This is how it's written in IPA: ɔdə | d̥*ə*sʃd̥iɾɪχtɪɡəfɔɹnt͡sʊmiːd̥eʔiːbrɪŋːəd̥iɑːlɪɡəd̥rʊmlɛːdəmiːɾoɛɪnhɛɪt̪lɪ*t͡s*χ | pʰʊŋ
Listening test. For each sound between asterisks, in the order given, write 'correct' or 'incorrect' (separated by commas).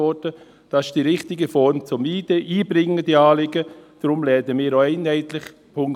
incorrect, incorrect